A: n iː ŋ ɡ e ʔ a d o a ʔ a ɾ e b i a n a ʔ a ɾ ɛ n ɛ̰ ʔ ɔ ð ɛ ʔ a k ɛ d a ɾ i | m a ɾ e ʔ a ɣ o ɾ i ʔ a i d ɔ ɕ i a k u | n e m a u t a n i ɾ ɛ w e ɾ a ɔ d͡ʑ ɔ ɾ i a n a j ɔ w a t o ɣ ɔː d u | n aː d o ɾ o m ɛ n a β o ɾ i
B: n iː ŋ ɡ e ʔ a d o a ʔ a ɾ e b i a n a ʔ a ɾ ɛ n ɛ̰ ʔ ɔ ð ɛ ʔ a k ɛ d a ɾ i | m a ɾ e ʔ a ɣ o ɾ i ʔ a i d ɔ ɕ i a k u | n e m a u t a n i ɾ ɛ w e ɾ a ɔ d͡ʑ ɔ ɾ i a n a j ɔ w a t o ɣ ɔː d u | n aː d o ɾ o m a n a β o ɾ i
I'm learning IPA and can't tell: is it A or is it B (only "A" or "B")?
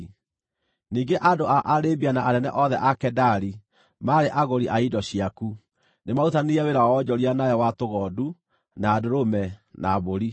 A